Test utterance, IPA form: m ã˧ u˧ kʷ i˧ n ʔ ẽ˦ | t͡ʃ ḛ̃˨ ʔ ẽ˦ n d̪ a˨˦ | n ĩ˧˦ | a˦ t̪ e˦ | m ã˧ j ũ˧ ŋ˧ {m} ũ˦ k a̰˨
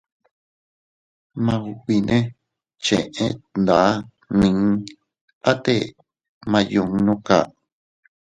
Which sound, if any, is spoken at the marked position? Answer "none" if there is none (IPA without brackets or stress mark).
n